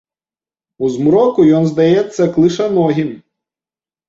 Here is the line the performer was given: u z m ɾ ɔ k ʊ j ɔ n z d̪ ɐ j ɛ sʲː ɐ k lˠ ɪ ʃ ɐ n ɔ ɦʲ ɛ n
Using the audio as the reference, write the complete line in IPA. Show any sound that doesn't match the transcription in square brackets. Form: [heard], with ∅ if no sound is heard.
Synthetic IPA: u z m ɾ ɔ k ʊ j ɔ n z d̪ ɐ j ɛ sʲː ɐ k lˠ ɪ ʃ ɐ n ɔ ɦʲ [i] n